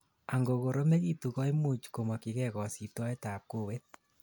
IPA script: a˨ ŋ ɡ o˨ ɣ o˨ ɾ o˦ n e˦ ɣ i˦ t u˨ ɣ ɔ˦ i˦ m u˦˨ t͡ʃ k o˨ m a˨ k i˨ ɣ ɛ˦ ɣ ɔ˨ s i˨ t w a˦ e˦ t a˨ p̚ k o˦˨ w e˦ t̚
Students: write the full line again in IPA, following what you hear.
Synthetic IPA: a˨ ŋ ɡ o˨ ɣ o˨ ɾ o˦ m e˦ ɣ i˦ t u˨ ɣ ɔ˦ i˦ m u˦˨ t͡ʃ k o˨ m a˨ k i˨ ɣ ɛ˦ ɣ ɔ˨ s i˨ t w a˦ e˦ t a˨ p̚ k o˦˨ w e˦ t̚